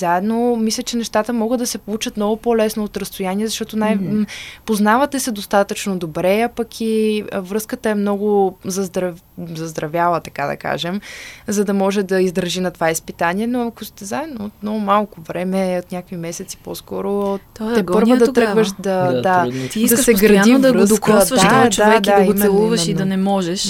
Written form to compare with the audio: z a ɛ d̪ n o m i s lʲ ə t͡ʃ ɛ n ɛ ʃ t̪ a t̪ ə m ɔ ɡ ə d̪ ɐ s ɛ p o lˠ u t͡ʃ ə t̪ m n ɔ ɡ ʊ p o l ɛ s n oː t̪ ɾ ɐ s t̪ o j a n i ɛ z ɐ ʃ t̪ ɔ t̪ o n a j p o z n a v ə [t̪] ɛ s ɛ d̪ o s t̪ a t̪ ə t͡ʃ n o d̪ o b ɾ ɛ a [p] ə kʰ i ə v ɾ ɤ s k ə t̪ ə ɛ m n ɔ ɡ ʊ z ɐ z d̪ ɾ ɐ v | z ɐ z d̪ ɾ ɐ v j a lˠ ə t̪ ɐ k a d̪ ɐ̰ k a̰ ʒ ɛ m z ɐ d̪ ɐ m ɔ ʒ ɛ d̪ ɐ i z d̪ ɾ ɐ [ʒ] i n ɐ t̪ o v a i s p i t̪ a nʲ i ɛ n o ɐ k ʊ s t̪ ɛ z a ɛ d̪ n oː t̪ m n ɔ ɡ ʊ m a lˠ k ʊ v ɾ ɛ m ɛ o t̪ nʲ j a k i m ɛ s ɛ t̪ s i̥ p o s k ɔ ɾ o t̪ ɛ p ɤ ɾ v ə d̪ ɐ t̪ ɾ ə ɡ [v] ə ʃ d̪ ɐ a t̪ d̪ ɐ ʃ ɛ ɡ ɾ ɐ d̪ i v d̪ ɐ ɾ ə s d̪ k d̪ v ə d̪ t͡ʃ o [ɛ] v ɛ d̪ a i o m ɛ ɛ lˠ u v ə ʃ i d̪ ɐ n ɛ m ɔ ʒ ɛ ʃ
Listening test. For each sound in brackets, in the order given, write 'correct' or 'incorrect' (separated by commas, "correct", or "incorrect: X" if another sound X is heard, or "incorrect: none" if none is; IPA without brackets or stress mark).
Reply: correct, correct, correct, correct, incorrect: a